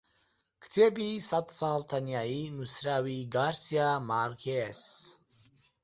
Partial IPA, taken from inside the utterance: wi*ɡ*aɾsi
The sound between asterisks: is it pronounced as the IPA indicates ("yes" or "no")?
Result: yes